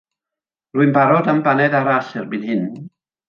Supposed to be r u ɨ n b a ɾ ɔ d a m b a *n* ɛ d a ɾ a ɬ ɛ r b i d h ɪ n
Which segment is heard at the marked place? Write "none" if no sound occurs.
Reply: n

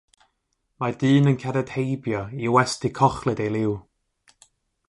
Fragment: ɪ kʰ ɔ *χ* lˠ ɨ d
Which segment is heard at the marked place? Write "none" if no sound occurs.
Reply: χ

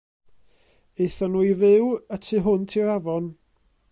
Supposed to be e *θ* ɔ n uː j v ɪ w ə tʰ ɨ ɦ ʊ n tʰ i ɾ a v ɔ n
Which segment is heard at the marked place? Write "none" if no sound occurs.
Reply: θ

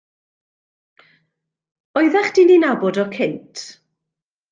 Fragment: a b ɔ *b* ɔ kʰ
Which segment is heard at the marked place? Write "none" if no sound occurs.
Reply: d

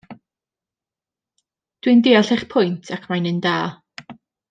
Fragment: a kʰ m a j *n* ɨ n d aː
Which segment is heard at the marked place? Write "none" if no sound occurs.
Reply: n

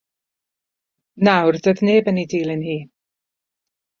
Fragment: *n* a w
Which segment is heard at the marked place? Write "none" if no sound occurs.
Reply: n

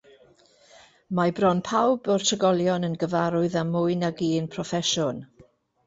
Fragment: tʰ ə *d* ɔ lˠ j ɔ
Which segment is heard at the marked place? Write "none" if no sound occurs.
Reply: ɡ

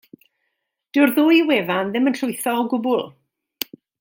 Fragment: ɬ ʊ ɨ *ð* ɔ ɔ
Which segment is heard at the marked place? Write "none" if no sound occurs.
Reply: θ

